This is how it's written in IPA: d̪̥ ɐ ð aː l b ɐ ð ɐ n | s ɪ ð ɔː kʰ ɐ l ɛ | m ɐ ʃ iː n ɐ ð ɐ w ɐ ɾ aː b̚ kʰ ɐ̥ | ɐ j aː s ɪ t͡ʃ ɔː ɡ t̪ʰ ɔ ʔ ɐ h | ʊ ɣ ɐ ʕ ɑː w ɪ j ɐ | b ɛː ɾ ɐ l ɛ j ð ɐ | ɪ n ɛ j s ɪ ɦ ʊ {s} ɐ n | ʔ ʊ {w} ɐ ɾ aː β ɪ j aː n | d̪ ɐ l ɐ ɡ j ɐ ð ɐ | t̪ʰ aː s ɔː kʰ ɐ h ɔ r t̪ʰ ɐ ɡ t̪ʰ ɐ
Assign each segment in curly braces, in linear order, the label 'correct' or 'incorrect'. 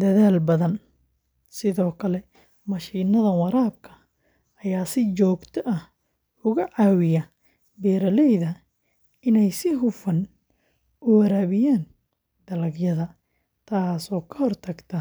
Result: incorrect: f, correct

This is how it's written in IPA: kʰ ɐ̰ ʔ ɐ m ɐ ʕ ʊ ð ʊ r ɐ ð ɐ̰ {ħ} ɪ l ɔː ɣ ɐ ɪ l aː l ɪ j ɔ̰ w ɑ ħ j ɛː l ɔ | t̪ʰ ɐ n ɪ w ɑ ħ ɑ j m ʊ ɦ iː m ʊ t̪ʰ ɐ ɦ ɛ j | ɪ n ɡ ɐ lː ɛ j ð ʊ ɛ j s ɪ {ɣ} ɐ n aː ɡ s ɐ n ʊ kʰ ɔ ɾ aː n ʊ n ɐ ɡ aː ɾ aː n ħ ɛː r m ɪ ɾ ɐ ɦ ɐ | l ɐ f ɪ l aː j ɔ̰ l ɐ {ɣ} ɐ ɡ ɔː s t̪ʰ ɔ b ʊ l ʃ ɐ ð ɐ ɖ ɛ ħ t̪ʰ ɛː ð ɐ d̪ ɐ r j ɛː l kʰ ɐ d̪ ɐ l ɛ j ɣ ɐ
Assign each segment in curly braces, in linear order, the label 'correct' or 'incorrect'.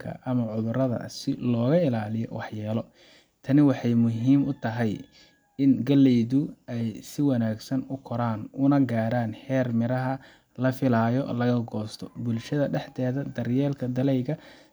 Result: incorrect: s, incorrect: w, correct

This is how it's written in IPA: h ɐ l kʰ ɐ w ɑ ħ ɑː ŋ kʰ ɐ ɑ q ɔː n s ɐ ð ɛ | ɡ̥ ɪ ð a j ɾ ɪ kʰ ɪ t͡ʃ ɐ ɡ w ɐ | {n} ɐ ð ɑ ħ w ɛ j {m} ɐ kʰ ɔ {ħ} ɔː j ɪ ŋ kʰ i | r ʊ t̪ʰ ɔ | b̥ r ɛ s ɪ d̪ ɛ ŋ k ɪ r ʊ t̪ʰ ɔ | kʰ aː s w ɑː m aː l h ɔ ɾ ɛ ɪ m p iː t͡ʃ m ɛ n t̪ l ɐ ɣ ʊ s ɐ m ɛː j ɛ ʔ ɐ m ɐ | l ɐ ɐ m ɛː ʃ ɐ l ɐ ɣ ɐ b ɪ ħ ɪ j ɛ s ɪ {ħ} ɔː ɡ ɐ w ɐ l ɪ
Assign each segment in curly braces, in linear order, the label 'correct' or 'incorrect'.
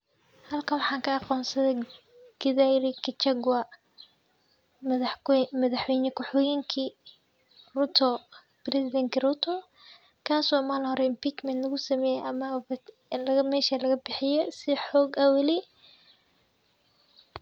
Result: incorrect: m, incorrect: n, correct, correct

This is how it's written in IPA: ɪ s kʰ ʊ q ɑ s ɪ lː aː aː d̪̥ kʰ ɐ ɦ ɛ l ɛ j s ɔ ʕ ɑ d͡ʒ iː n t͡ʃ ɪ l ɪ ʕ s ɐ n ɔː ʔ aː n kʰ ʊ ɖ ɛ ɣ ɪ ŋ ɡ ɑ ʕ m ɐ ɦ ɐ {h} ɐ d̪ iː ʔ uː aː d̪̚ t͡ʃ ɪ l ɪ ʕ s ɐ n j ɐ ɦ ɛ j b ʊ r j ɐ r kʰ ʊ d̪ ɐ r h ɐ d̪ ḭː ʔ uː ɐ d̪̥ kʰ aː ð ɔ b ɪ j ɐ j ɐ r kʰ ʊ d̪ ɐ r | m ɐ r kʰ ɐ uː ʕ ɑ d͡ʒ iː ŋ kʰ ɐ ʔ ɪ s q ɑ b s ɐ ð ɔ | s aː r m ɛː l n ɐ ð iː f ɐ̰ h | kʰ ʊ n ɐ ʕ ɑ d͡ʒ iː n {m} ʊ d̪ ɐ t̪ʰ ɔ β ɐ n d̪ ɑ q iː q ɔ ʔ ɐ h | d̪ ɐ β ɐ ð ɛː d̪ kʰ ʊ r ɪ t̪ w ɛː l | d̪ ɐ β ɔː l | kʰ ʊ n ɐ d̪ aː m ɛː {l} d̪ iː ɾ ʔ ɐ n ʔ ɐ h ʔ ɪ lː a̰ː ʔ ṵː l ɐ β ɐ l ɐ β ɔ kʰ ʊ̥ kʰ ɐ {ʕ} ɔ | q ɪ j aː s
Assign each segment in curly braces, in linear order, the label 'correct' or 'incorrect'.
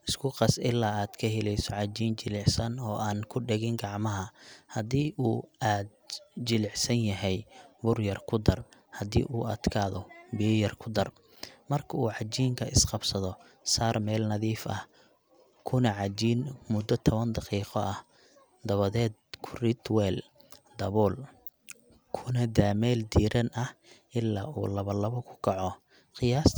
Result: correct, correct, correct, correct

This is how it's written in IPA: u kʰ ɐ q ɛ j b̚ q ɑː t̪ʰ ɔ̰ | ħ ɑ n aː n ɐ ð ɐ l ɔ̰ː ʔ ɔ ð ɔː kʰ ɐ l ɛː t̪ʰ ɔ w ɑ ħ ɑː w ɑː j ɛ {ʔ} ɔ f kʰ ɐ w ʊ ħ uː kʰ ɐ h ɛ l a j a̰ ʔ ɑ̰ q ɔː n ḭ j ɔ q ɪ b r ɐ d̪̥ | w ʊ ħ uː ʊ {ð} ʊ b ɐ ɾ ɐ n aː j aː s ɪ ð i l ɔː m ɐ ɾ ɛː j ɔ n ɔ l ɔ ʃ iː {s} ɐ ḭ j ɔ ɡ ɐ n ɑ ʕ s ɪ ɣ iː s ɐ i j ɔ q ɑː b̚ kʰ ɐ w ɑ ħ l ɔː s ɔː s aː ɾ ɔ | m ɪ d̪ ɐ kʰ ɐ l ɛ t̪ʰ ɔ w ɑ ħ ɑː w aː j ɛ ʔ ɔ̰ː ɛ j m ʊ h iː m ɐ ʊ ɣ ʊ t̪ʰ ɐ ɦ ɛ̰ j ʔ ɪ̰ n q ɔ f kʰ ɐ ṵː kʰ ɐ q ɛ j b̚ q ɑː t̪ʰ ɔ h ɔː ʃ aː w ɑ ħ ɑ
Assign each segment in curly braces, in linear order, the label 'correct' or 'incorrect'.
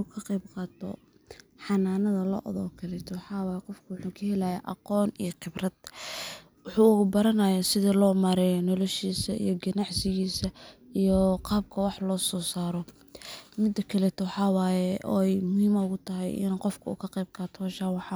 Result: incorrect: q, incorrect: ɣ, correct

